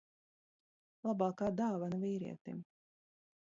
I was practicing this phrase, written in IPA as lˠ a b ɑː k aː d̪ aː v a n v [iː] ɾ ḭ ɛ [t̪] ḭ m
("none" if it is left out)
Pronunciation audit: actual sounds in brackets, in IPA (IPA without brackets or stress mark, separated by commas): iː, t̪